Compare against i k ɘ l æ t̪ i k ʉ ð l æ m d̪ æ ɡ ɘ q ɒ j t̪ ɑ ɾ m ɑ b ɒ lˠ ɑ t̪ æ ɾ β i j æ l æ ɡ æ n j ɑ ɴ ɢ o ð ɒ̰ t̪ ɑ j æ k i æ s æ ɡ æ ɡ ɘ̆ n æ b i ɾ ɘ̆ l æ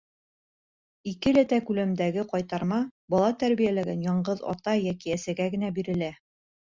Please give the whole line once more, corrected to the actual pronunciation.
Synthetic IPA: i k ɘ l æ t̪ æ k ʉ l æ m d̪ æ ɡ ɘ q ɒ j t̪ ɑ ɾ m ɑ b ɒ lˠ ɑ t̪ æ ɾ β i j æ l æ ɡ æ n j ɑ ɴ ɢ ɤ ð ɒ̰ t̪ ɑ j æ k i æ s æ ɡ æ ɡ ɘ̆ n æ b i ɾ ɘ̆ l æ